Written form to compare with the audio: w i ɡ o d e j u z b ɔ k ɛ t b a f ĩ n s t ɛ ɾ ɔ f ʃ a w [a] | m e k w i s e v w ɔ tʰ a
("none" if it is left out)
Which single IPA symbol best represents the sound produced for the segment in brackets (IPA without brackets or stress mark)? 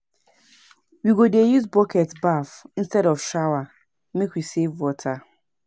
a